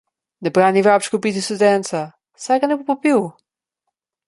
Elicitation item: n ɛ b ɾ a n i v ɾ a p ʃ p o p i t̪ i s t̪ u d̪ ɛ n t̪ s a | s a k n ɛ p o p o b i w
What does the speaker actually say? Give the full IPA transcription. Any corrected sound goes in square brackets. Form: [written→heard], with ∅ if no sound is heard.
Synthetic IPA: n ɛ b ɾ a n i v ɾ a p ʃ [p→k] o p i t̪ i s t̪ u d̪ ɛ n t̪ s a | s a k n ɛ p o p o [b→p] i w

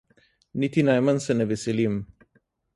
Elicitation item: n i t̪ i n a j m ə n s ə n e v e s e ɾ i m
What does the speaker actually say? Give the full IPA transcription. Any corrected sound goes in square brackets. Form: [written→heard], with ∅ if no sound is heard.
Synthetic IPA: n i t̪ i n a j m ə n s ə n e v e s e [ɾ→l] i m

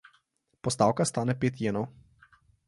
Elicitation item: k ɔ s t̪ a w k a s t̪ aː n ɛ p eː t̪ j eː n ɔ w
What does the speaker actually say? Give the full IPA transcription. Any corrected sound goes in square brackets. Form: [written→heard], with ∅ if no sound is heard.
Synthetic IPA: [k→p] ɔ s t̪ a w k a s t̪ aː n ɛ p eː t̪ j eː n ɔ w

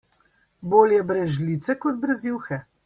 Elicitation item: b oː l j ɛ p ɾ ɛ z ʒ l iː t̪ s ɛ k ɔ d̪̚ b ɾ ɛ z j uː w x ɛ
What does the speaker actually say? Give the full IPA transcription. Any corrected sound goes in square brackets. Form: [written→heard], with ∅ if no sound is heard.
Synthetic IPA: b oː l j ɛ [p→b] ɾ ɛ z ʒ l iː t̪ s ɛ k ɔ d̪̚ b ɾ ɛ z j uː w x ɛ

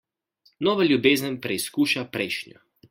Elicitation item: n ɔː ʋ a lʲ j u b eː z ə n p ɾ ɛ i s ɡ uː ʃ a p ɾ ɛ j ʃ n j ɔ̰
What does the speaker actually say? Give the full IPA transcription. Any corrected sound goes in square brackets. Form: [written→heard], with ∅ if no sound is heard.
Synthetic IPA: n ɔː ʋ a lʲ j u b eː z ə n p ɾ ɛ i s [ɡ→k] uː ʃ a p ɾ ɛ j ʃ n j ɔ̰

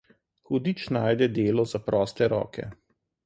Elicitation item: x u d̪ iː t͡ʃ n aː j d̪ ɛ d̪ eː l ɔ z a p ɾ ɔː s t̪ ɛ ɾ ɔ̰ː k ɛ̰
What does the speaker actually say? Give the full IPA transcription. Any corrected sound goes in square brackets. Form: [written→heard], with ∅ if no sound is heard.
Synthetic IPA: x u d̪ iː t͡ʃ n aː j d̪ ɛ d̪ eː l ɔ z a p ɾ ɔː s t̪ ɛ ɾ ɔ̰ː k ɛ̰

